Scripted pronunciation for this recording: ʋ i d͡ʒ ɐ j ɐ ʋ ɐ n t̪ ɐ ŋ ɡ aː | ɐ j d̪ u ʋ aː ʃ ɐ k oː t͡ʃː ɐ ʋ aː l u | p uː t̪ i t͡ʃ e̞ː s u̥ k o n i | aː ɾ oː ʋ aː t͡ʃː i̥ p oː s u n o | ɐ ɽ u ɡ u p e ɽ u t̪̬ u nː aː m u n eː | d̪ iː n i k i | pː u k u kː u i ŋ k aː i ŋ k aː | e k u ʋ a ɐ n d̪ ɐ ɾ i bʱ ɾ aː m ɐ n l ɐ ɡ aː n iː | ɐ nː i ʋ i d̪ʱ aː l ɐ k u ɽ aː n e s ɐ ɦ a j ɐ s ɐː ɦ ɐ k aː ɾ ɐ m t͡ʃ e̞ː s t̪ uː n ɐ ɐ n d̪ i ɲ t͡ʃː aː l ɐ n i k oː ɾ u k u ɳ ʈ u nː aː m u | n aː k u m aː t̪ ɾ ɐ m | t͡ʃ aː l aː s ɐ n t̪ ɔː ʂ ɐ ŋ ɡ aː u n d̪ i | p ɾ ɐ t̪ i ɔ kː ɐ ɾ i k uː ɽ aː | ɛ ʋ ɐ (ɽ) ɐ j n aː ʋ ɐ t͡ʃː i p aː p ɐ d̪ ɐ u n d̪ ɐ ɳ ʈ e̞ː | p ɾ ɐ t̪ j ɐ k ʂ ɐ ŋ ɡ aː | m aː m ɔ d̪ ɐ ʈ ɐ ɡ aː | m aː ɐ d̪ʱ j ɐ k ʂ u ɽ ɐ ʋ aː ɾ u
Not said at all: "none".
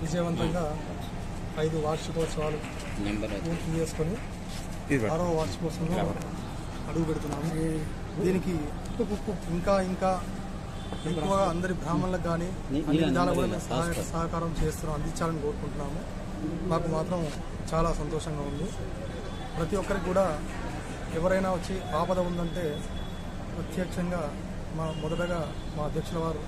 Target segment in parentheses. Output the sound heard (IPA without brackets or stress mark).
ɾ